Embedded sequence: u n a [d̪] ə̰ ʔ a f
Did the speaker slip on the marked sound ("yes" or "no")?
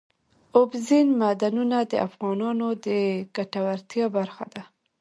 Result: no